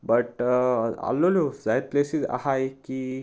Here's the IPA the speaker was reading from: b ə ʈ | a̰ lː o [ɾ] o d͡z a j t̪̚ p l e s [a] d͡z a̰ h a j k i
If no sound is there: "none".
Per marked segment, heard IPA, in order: l, i

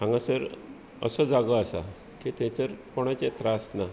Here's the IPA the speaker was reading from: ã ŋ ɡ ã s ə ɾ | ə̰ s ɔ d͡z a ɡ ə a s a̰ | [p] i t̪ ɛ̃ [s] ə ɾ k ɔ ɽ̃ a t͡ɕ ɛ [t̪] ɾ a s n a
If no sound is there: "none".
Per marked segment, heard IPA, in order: k, t͡s, t̪

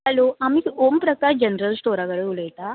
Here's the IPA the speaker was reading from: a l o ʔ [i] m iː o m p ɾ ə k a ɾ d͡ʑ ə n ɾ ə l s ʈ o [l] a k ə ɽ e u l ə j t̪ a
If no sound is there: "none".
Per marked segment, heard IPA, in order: a, ɾ

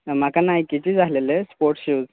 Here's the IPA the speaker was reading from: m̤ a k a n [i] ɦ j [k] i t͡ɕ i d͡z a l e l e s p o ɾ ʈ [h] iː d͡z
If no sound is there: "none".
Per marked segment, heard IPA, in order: a, k, ɕ

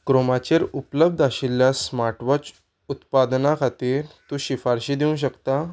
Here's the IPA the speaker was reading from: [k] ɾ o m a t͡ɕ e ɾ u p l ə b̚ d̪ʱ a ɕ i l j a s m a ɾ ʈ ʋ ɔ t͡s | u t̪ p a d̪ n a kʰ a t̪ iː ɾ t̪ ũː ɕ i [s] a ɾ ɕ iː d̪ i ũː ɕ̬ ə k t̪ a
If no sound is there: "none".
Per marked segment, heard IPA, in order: k, f

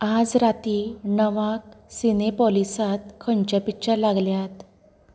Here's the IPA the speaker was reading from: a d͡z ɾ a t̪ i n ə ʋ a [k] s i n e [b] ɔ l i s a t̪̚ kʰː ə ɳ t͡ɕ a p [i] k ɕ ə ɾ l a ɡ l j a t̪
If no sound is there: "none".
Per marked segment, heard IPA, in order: k, p, i

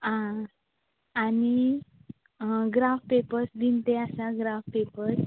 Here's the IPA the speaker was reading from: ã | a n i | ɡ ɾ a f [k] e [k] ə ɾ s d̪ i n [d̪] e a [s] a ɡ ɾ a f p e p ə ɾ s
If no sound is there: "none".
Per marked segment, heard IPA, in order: p, p, t̪, s

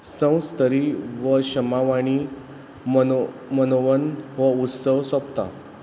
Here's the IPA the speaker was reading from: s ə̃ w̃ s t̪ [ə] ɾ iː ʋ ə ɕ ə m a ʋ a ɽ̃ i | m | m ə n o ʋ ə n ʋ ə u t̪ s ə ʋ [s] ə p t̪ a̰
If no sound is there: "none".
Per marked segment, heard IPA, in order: ə, s

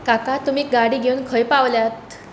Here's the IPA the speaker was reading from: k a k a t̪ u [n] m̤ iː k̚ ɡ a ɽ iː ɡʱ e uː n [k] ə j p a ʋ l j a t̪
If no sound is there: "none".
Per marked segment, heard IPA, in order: none, kʰ

